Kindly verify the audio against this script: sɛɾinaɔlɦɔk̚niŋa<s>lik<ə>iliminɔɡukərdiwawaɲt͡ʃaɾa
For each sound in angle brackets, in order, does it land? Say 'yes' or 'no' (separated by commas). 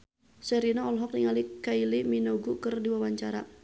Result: no, no